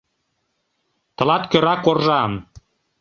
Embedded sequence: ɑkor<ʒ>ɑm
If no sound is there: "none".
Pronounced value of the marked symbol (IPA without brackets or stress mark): ʒ